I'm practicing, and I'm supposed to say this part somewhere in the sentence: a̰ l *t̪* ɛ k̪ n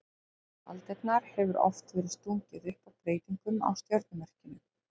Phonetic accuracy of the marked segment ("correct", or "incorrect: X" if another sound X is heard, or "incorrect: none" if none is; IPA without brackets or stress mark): correct